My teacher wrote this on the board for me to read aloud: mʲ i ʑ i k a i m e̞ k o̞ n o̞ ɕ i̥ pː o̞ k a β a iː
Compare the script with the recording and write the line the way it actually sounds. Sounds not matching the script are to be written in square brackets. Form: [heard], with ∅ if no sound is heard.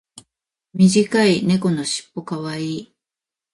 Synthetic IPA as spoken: mʲ i ʑ i k a i [n] e̞ k o̞ n o̞ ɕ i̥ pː o̞ k a β a iː

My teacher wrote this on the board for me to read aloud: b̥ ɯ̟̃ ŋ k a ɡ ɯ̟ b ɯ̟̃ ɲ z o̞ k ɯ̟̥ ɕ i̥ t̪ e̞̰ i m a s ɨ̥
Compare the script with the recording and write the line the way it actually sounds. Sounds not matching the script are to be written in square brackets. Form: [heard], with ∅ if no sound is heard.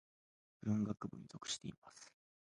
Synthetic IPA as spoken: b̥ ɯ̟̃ ŋ [ɡ] a [k] ɯ̟ b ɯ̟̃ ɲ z o̞ k ɯ̟̥ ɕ i̥ t̪ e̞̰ i m a s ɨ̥

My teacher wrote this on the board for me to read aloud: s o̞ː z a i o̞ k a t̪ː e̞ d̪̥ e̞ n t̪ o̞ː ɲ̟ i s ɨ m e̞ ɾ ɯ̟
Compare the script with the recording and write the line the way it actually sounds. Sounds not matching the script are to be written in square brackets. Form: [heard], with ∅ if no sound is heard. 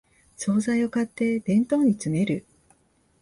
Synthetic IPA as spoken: s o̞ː z a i o̞ k a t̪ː e̞ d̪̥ [ẽ̞] n t̪ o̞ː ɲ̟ i [t͡s] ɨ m e̞ ɾ ɯ̟

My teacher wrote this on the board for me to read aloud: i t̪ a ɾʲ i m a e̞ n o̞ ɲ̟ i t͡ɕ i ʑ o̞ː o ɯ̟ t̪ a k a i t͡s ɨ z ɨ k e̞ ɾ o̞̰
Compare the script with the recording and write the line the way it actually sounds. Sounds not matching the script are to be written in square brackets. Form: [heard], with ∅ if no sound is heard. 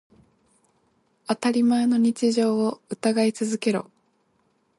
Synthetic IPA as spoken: [a] t̪ a ɾʲ i m a e̞ n o̞ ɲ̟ i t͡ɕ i ʑ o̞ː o ɯ̟ t̪ a [ɡ] a i t͡s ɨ z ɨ k e̞ ɾ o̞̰

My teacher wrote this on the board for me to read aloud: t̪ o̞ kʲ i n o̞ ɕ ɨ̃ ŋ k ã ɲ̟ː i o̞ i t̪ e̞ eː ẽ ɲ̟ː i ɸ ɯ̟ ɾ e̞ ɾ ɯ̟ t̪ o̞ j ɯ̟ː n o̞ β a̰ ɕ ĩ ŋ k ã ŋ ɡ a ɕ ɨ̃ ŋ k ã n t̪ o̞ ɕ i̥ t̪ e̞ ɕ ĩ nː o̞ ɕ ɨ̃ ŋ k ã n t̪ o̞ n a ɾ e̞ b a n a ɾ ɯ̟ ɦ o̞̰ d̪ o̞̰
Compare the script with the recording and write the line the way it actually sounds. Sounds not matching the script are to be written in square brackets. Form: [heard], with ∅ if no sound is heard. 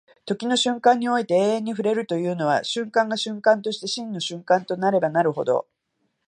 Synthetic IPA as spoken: t̪ o̞ kʲ i n o̞ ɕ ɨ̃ ŋ k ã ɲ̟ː i o̞ i t̪ e̞ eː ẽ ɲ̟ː i ɸ ɯ̟ ɾ e̞ ɾ ɯ̟ t̪ o̞ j ɯ̟ː n o̞ β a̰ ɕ [ɨ̃] ŋ k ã ŋ ɡ a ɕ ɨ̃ ŋ k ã n t̪ o̞ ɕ i̥ t̪ e̞ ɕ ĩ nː o̞ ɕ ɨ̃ ŋ k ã n t̪ o̞ n a ɾ e̞ b a n a ɾ ɯ̟ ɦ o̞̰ d̪ o̞̰

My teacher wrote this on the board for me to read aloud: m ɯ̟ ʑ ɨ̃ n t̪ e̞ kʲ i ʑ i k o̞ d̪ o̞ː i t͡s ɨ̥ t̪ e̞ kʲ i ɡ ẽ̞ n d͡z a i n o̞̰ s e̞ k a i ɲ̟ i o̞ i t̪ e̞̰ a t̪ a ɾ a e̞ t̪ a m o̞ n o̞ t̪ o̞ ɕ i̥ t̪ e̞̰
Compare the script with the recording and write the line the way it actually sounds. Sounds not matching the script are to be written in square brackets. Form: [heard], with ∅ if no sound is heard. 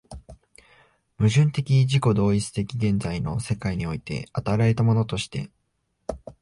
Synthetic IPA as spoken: m ɯ̟ ʑ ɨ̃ n t̪ e̞ kʲ i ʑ i k o̞ d̪ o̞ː i t͡s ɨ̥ t̪ e̞ kʲ i ɡ ẽ̞ n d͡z a i n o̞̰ s e̞ k a i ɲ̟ i o̞ i t̪ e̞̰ a t̪ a ɾ a e̞ t̪ a m o̞ n o̞ t̪ o̞ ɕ i̥ t̪ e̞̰

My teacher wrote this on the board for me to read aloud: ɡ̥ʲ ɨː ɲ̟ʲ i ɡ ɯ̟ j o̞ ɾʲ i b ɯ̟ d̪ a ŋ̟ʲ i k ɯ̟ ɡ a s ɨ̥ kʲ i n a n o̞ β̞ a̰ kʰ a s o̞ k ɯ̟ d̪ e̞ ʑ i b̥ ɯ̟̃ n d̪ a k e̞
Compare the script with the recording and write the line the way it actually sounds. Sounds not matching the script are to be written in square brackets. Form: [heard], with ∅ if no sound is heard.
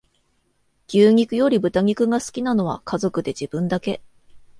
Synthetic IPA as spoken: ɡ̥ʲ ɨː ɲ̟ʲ i [k] ɯ̟ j o̞ ɾʲ i b ɯ̟ [t̪] a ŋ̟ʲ i k ɯ̟ ɡ a s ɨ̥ kʲ i n a n o̞ β̞ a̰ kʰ a [z] o̞ k ɯ̟ d̪ e̞ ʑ i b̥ ɯ̟̃ n d̪ a k e̞

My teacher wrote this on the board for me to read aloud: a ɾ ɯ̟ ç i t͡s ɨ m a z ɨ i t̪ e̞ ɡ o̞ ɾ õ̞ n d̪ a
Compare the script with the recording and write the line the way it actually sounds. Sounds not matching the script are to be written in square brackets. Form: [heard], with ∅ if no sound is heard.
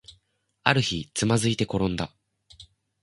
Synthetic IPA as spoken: a ɾ ɯ̟ ç i t͡s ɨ m a z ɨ i t̪ e̞ [k] o̞ ɾ õ̞ n d̪ a

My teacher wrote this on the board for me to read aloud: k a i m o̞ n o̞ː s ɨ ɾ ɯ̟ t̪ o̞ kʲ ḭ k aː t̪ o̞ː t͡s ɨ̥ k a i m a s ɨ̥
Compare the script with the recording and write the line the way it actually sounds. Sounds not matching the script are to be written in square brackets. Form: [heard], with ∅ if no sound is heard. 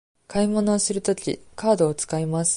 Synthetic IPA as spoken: k a i m o̞ n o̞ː s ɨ ɾ ɯ̟ t̪ o̞ kʲ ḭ k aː [d̪] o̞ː t͡s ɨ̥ k a i m a s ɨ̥

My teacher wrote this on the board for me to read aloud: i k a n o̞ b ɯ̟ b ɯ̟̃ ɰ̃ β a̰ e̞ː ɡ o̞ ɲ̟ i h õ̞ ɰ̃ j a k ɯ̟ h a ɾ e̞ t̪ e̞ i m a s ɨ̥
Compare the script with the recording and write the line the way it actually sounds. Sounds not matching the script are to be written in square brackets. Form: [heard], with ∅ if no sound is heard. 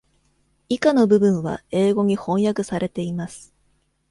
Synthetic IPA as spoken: i k a n o̞ b ɯ̟ b ɯ̟̃ ɰ̃ β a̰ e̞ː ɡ o̞ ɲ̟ i h õ̞ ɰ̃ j a k ɯ̟ [s] a ɾ e̞ t̪ e̞ i m a s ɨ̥

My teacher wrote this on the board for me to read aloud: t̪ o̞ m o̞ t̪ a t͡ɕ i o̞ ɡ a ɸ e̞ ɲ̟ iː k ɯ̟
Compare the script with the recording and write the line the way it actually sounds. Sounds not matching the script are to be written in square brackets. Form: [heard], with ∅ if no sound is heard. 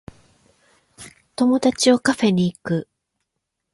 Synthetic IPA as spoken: t̪ o̞ m o̞ [d̪] a t͡ɕ i o̞ [k] a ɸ e̞ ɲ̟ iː k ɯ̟

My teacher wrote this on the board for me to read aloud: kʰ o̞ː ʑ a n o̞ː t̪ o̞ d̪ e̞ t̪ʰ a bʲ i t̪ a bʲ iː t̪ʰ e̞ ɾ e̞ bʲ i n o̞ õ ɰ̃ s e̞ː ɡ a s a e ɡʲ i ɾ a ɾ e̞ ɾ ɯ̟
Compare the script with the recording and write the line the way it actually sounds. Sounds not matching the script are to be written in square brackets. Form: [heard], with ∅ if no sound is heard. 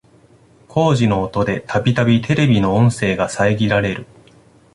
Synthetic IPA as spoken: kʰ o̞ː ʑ [i] n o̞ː t̪ o̞ d̪ e̞ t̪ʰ a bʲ i t̪ a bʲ [i] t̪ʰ e̞ ɾ e̞ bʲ i n o̞ õ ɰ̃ s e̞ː ɡ a s a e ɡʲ i ɾ a ɾ e̞ ɾ ɯ̟

